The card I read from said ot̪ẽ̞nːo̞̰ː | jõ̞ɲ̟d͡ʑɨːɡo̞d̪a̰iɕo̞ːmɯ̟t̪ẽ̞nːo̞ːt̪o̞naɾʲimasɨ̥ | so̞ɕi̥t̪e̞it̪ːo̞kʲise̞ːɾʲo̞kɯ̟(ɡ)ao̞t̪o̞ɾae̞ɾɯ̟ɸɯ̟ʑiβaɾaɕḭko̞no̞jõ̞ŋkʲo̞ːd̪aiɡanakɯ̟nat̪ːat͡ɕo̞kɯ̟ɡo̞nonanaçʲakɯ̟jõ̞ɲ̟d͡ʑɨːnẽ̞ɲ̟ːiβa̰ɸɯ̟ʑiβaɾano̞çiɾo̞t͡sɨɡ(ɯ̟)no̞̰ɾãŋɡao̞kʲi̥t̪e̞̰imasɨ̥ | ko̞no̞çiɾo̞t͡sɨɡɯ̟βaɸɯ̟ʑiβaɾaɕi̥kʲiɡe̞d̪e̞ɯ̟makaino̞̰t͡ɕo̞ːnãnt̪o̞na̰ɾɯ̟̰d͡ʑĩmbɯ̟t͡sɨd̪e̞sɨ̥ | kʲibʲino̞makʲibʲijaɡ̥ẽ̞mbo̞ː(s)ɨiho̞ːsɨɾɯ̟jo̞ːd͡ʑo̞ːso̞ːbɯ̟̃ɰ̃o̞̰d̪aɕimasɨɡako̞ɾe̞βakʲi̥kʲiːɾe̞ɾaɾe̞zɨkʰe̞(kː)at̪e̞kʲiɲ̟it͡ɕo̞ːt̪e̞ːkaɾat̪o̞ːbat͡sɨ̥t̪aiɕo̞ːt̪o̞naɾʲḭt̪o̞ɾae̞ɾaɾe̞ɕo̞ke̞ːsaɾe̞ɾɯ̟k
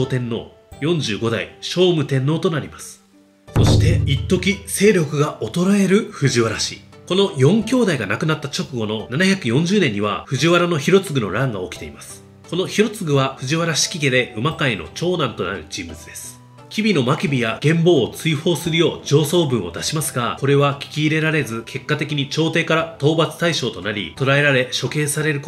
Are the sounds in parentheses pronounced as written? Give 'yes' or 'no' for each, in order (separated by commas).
yes, yes, no, yes